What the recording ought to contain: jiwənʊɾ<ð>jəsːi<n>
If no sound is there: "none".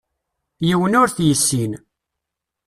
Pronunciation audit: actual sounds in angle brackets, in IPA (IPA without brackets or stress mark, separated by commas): θ, n